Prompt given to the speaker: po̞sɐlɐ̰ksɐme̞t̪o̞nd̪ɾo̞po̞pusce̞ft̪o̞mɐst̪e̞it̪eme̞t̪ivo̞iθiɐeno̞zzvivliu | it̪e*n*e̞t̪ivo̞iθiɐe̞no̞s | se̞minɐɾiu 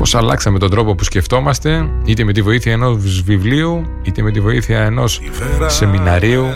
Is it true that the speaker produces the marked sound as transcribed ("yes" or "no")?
no